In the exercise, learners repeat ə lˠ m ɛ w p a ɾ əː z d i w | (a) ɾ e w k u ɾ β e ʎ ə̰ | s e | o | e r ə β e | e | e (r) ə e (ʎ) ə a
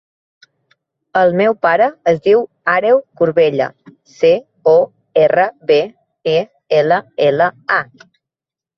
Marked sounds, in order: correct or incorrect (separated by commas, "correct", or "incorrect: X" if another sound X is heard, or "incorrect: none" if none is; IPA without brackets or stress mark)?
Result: correct, incorrect: l, incorrect: l